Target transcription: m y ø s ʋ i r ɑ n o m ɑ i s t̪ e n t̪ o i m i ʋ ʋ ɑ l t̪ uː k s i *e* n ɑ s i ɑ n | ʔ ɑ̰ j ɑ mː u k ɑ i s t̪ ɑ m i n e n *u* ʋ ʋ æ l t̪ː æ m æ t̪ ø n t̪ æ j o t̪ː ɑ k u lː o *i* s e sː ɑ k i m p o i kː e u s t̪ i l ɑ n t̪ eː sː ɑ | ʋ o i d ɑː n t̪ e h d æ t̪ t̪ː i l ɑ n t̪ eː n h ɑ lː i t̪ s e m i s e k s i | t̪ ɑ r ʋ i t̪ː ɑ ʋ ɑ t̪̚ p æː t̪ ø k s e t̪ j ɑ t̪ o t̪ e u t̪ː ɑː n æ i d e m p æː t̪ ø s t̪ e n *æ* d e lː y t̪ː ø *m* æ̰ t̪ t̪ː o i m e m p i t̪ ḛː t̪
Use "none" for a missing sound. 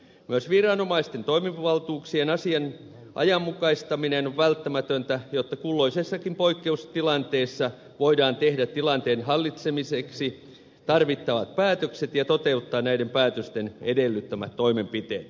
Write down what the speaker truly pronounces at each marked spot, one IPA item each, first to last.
e, o, i, e, m

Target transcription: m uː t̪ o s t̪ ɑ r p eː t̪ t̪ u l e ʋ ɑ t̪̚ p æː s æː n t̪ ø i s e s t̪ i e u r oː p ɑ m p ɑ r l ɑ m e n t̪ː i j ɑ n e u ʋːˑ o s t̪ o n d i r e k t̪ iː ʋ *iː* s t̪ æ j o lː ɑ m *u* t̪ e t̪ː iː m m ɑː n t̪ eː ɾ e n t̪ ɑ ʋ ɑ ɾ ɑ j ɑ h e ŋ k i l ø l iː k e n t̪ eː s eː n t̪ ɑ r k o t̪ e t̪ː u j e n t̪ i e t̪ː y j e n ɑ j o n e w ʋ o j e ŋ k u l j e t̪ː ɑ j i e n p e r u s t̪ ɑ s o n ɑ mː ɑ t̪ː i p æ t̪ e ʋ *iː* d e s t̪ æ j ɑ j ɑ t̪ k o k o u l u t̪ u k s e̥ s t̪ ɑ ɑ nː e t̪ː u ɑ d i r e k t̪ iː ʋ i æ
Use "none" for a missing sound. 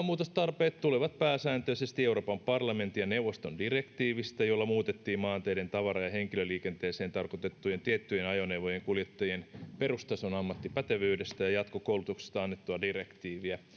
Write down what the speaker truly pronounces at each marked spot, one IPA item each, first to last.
i, uː, yː

